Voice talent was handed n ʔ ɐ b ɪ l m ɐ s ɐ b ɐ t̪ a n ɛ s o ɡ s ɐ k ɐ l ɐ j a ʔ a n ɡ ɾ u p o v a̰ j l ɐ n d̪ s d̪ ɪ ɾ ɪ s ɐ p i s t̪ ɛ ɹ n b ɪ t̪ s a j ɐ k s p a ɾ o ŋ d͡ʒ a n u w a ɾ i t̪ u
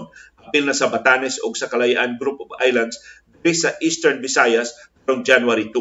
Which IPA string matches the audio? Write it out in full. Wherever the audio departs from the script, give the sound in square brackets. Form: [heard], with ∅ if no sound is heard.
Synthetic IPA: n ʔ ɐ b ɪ l [n] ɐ s ɐ b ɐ t̪ a n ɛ s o ɡ s ɐ k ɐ l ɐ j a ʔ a n ɡ ɾ u p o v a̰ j l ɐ n d̪ s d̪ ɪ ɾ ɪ s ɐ [ʔ] i s t̪ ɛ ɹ n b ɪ [∅] s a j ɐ [∅] s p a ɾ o ŋ d͡ʒ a n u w a ɾ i t̪ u